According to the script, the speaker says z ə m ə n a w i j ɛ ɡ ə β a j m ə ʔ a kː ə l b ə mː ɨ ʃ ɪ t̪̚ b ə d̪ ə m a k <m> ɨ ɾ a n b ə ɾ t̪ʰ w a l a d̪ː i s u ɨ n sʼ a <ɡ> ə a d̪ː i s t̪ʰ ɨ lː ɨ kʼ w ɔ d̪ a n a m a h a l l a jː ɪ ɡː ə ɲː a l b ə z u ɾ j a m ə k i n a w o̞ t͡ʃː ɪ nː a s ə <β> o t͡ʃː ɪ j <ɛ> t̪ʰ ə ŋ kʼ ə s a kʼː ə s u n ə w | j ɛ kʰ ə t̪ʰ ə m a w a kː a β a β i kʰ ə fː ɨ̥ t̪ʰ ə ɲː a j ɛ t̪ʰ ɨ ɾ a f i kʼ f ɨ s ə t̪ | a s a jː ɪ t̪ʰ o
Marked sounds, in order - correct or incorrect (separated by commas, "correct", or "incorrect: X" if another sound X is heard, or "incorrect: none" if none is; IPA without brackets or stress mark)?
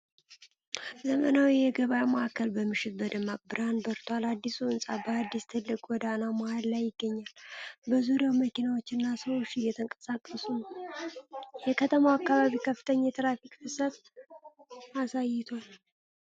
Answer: incorrect: b, incorrect: b, incorrect: w, correct